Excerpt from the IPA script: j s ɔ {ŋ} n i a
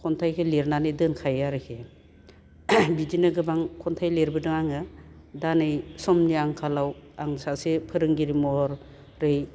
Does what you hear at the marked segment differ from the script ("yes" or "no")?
yes